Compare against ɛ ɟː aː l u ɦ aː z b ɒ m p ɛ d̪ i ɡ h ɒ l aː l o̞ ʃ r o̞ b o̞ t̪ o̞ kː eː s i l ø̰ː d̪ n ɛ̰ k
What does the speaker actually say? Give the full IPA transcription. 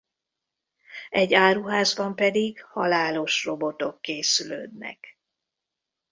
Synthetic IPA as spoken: ɛ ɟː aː ɾ u ɦ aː z b ɒ m p ɛ d̪ i ɡ h ɒ l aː l o̞ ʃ r o̞ b o̞ t̪ o̞ kː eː s y l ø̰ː d̪ n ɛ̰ k